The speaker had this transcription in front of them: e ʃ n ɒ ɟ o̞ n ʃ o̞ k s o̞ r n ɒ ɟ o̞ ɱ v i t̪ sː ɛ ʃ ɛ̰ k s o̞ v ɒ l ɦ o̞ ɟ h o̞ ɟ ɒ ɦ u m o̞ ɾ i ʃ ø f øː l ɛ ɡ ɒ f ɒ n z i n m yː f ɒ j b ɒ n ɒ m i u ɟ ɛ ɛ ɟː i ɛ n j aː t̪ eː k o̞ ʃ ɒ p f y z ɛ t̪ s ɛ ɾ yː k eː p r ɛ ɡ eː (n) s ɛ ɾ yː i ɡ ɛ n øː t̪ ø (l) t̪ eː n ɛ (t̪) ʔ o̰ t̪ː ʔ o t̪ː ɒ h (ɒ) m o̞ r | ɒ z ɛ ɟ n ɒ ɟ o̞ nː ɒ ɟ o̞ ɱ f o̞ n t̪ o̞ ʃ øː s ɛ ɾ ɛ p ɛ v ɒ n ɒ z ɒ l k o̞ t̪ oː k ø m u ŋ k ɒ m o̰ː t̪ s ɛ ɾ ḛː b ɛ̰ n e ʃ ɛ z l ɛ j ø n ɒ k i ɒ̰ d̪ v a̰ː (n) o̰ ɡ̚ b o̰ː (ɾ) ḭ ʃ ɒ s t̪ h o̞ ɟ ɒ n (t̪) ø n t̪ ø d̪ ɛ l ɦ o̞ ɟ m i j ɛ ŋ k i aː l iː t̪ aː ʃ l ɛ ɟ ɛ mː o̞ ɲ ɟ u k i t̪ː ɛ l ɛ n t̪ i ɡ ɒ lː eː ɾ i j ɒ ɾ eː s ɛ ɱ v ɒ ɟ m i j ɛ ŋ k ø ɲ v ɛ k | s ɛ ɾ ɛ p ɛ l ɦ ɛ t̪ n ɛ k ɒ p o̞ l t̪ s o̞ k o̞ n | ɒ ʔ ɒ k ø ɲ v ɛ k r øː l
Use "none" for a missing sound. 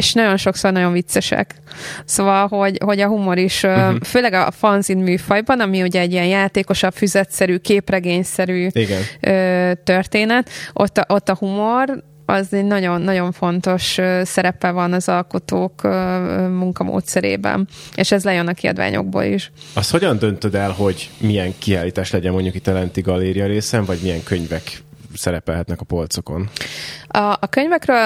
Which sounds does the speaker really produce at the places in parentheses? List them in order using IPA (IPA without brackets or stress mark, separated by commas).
ɲ, r, t̪, u, ɲ, l, d̪